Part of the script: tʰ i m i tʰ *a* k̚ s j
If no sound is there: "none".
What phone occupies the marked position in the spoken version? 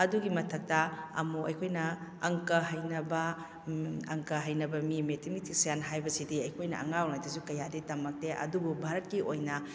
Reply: i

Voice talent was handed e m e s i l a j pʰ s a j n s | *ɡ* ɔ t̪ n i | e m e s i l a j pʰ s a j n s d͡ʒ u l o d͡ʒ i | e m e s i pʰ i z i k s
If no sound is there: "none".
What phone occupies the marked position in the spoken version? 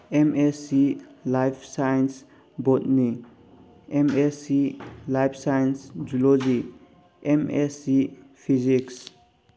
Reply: b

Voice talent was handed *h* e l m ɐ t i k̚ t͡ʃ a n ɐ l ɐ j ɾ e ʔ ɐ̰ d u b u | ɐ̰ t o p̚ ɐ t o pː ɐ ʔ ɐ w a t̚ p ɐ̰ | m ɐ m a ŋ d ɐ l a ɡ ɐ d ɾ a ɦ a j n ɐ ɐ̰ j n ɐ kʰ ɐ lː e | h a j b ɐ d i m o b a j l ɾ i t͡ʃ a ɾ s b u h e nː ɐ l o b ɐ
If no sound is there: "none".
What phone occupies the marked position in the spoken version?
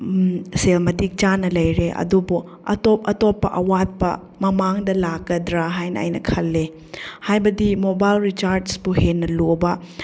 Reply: s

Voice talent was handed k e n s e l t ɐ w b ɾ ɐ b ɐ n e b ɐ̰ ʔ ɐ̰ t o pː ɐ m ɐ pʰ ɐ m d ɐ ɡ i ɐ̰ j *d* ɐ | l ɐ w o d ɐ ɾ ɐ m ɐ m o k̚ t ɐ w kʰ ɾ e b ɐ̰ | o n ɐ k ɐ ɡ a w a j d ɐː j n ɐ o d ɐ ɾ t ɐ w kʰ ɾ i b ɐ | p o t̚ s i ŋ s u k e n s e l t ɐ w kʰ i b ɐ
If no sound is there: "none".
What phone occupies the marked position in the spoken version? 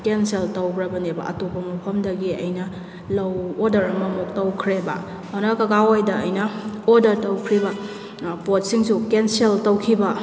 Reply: n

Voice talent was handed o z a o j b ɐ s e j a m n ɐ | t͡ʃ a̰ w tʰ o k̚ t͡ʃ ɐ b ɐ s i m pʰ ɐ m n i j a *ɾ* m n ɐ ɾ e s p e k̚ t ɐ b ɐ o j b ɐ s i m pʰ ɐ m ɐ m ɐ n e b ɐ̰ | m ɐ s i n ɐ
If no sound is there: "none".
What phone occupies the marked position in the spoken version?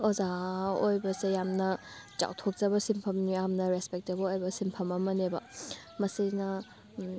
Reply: none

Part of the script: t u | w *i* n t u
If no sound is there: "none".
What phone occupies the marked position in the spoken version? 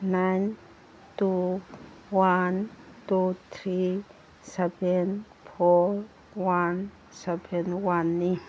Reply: a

